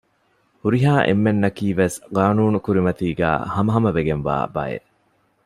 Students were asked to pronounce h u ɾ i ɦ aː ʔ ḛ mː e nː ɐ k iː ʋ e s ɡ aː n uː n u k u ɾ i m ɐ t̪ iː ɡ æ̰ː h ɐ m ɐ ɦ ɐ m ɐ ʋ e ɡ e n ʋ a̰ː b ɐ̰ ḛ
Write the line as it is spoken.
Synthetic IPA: h u ɾ i ɦ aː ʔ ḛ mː e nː ɐ k iː ʋ e s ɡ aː n uː n u k u ɾ i m ɐ t̪ iː ɡ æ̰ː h ɐ m ɐ ɦ ɐ m ɐ ʋ e ɡ e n ʋ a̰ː b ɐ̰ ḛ